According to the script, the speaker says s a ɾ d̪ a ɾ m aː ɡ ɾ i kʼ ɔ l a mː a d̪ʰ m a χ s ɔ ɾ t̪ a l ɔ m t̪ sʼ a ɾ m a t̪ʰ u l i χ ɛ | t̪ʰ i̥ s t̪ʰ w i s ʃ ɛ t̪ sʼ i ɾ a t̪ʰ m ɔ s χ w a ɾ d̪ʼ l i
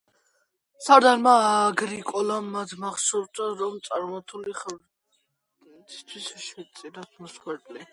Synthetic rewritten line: s a ɾ d̪ a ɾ m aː ɡ ɾ i kʼ ɔ l a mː a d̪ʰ m a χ s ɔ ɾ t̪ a ɾ ɔ m t̪ sʼ a ɾ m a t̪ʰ u l i χ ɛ | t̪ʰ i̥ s t̪ʰ w i s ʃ ɛ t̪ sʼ i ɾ a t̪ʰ m ɔ s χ w ɛ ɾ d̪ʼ l i